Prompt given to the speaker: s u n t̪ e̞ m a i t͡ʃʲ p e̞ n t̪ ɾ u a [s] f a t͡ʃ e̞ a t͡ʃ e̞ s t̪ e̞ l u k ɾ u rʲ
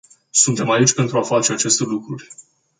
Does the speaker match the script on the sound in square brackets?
no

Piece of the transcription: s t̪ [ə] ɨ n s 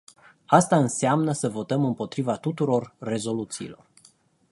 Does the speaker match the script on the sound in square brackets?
no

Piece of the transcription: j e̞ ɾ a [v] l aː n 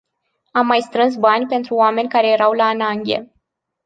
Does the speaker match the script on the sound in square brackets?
no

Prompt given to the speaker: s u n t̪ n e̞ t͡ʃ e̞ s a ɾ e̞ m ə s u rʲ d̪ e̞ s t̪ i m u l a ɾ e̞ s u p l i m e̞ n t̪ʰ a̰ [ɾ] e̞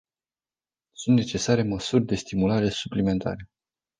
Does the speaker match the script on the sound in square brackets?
yes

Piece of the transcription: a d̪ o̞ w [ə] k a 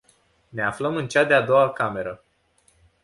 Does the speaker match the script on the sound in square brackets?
no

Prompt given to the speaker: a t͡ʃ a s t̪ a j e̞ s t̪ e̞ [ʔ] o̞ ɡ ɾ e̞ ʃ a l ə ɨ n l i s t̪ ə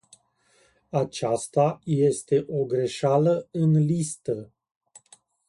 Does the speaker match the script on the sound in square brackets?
yes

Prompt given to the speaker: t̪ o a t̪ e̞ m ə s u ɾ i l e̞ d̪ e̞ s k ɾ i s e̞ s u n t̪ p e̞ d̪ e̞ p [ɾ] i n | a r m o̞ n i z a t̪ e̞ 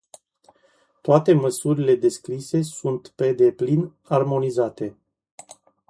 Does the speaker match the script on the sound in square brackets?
no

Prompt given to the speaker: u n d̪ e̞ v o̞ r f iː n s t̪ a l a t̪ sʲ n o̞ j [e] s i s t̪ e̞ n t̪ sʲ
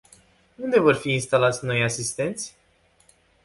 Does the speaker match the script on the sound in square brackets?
no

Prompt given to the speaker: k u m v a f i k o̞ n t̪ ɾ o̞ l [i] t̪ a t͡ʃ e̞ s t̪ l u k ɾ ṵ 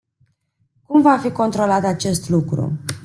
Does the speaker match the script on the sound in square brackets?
no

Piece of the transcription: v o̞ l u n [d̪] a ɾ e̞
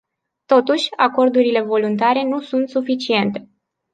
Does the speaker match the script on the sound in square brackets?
no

